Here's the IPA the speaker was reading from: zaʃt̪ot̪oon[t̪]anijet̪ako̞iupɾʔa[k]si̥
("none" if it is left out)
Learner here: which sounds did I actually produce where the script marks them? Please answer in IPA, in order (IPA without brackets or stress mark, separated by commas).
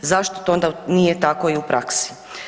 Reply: d̪, k